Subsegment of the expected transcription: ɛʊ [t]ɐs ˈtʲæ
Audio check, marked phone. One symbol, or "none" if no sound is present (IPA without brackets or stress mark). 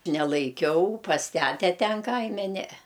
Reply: p